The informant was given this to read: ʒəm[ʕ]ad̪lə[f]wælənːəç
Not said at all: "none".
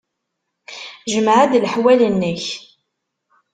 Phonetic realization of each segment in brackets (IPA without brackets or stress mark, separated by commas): ʕ, ħ